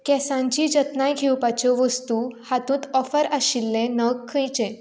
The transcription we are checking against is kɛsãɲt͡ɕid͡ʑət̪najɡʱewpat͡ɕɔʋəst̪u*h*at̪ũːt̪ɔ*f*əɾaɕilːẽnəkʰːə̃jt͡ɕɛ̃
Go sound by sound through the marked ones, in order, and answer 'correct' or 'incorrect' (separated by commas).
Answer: correct, correct